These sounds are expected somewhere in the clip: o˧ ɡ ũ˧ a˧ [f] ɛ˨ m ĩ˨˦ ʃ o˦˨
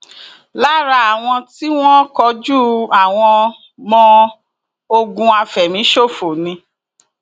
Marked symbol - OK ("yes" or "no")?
yes